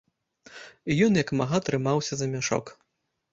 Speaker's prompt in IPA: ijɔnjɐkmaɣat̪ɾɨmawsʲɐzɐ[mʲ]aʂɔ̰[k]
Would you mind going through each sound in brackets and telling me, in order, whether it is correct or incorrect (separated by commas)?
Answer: correct, correct